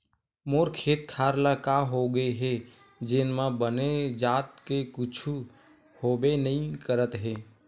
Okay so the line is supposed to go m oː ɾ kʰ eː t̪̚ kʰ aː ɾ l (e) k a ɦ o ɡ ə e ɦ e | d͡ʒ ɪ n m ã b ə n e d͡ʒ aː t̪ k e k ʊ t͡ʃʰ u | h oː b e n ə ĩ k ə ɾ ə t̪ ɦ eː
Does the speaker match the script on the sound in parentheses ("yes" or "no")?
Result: no